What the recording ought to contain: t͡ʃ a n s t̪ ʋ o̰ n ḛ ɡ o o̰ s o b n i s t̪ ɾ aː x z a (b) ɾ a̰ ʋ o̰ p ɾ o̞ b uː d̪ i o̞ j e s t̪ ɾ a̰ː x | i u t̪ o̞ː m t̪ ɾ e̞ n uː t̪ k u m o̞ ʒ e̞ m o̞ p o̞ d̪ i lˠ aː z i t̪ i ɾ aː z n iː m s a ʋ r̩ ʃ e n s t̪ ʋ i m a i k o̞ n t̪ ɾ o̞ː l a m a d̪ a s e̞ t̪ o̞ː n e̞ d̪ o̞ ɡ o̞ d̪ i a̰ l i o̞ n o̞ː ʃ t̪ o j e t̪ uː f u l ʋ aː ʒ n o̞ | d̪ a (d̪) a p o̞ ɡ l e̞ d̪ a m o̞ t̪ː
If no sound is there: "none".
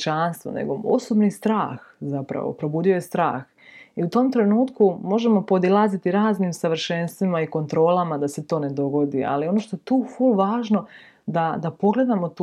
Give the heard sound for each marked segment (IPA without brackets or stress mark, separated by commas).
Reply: p, d̪